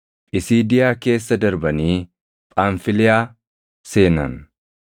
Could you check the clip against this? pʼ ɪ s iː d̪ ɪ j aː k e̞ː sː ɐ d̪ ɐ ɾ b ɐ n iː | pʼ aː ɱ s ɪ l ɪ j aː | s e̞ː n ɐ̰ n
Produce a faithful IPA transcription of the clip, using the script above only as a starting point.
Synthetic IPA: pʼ ɪ s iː d̪ ɪ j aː k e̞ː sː ɐ d̪ ɐ ɾ b ɐ n iː | pʼ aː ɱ f ɪ l ɪ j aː | s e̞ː n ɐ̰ n